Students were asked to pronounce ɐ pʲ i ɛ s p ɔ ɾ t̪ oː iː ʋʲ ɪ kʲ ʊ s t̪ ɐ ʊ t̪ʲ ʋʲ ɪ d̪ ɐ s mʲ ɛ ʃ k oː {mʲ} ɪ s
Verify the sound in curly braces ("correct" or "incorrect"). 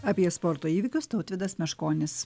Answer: incorrect